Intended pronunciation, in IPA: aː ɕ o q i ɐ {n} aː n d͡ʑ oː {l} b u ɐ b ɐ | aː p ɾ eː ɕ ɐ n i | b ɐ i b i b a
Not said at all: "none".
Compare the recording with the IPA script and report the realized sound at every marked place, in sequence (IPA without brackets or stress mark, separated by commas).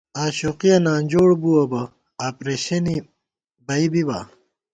n, ɽ